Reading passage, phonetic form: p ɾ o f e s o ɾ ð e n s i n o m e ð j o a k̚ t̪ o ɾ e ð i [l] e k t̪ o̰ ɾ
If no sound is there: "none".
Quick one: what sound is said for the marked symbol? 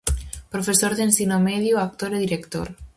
ɾ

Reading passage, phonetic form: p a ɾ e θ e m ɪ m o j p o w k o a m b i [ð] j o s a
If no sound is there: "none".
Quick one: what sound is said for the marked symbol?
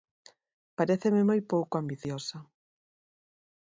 θ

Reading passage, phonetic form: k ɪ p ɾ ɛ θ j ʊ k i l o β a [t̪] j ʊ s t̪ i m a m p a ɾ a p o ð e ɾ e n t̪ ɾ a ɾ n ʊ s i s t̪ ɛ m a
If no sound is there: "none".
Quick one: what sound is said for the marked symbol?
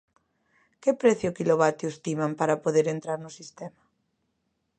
t̪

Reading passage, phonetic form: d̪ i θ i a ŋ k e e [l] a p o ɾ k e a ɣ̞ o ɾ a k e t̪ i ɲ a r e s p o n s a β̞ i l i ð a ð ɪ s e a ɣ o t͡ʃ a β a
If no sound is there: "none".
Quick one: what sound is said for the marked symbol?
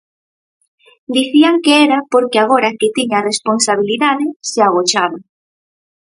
ɾ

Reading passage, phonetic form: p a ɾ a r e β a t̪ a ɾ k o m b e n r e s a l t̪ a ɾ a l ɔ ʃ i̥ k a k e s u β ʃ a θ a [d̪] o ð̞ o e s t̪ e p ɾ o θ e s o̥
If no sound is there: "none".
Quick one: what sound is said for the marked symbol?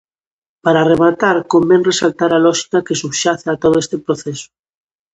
t̪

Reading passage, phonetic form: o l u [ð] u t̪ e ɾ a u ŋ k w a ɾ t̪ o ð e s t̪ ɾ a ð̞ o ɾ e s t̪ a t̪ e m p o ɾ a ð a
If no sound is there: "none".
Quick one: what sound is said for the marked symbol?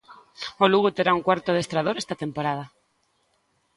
ɣ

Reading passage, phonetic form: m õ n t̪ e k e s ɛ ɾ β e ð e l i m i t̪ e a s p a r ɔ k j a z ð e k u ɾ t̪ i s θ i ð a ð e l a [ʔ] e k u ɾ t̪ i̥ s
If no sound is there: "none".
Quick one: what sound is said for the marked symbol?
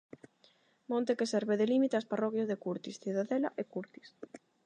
ʔ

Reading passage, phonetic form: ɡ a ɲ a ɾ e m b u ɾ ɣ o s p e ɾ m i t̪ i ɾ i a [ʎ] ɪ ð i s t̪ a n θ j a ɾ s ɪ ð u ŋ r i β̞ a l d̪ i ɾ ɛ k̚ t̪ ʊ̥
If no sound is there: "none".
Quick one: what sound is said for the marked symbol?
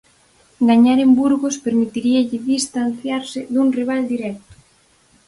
ʎ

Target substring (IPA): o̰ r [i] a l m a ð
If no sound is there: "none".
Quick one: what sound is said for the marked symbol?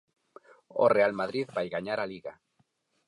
e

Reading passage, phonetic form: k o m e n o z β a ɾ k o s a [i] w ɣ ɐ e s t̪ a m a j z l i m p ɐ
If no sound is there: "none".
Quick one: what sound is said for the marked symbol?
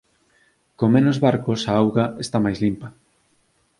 a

